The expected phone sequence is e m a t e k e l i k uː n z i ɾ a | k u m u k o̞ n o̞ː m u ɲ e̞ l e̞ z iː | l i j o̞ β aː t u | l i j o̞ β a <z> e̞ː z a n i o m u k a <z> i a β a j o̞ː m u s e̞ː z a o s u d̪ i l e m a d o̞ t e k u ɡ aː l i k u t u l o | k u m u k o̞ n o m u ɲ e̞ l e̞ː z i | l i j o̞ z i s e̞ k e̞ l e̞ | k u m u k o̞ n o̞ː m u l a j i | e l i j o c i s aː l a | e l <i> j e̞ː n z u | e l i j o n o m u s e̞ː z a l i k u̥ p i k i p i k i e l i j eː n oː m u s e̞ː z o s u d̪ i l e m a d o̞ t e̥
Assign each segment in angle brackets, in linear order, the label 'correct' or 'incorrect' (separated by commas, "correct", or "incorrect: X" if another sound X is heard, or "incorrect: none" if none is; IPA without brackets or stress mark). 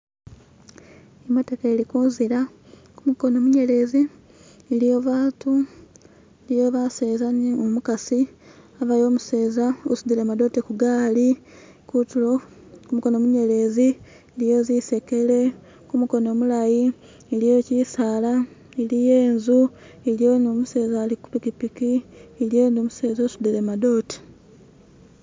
incorrect: s, incorrect: s, correct